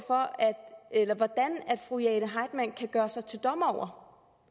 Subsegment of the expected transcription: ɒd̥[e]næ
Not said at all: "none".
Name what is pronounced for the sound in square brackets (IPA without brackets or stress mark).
æ